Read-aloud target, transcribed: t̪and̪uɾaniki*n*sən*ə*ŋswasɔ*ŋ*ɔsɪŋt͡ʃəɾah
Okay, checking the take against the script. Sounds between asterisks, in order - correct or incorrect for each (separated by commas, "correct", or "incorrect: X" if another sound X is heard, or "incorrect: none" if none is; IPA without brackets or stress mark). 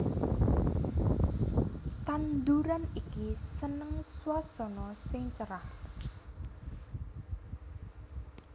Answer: incorrect: none, correct, incorrect: n